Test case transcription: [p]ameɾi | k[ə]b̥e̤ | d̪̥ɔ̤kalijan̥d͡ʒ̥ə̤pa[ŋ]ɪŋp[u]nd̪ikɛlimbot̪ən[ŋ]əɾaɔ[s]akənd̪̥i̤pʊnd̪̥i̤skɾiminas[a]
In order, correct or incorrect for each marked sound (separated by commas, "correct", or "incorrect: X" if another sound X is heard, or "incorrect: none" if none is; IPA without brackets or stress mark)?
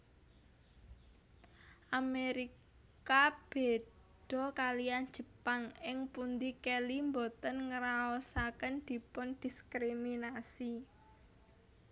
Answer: incorrect: ʔ, incorrect: a, correct, correct, correct, correct, incorrect: i